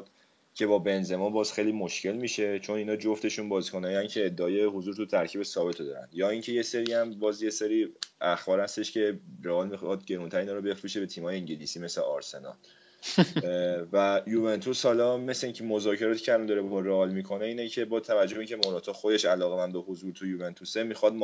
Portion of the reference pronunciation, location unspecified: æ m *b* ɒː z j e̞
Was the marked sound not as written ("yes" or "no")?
no